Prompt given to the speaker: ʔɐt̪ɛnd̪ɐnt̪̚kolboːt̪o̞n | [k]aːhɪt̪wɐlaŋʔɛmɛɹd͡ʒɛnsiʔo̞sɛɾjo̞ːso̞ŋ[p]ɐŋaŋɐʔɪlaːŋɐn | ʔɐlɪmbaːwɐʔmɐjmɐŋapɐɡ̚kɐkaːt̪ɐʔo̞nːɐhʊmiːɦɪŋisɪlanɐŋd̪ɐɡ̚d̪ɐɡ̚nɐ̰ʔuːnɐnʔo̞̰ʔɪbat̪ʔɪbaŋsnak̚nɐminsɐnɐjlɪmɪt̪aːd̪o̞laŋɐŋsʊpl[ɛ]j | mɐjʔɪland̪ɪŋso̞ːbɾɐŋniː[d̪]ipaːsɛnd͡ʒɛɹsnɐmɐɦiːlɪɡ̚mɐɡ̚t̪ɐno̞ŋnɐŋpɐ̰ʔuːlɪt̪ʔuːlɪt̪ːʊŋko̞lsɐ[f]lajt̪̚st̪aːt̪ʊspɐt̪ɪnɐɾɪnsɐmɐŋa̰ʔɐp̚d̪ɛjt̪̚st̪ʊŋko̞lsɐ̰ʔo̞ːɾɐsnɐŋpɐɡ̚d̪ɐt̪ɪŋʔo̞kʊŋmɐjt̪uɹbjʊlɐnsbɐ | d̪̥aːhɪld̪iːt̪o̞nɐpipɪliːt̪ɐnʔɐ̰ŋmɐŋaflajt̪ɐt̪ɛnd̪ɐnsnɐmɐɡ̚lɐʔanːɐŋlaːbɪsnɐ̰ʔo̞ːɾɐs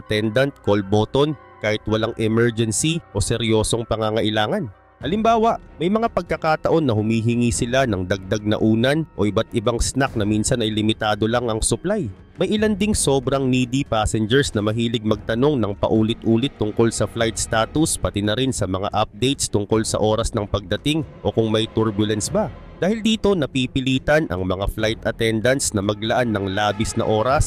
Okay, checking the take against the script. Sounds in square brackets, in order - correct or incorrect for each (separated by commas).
correct, correct, incorrect, correct, correct